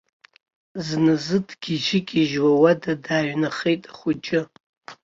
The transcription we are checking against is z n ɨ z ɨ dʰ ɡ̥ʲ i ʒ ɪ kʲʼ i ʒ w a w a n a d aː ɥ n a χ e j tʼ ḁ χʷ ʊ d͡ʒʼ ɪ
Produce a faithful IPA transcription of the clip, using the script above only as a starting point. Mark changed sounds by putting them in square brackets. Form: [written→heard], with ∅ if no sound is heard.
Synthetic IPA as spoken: z n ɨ z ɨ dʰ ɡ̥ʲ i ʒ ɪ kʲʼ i ʒ w a w a [n→d] a d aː ɥ n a χ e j tʼ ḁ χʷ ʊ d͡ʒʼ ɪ